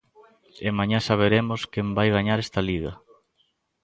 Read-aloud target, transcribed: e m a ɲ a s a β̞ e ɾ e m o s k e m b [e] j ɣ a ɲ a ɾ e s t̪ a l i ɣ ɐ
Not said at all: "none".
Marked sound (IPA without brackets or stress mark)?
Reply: a